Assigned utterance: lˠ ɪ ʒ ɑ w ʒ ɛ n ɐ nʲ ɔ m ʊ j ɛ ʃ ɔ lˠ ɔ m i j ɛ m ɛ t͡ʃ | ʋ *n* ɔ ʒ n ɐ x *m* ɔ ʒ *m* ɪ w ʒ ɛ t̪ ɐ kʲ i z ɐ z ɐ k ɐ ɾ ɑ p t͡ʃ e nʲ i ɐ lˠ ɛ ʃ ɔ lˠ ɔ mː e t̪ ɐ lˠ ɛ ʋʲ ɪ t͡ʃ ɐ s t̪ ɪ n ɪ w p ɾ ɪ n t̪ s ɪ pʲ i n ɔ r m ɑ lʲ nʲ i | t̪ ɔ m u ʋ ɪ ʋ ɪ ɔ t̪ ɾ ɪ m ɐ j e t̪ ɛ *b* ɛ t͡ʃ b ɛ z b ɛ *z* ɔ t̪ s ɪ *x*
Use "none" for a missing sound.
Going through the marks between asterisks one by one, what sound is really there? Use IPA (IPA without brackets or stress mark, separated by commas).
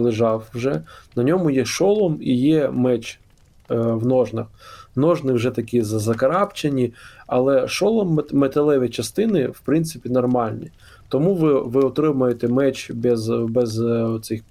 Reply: n, n, n, m, z, x